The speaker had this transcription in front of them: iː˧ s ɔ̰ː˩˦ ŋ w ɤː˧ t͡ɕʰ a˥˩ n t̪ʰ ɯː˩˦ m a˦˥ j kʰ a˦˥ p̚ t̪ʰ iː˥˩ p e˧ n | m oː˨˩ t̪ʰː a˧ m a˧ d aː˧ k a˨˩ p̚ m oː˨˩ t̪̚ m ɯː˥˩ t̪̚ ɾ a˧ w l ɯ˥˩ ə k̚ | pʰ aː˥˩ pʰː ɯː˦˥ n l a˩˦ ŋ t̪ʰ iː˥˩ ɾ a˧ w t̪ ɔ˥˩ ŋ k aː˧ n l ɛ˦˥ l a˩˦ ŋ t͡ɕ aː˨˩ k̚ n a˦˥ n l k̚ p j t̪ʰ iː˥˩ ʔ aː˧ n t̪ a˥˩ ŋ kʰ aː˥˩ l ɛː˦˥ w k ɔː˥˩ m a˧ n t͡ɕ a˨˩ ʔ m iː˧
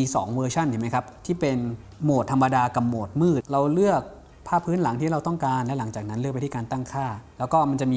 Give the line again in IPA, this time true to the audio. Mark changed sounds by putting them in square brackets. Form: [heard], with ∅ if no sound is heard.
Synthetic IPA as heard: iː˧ s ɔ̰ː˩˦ ŋ w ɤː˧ t͡ɕʰ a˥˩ n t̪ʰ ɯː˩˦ m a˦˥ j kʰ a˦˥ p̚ t̪ʰ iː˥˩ p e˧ n | m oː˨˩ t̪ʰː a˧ m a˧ d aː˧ k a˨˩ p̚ m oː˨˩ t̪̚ m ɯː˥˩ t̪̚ ɾ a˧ w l ɯ˥˩ ə k̚ | pʰ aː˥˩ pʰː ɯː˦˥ n l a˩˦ ŋ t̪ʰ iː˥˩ ɾ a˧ w t̪ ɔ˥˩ ŋ k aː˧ n l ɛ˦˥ l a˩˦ ŋ t͡ɕ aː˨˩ k̚ n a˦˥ n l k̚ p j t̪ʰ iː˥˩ [k] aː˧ n t̪ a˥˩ ŋ kʰ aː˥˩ l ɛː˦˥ w k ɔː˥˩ m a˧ n t͡ɕ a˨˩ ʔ m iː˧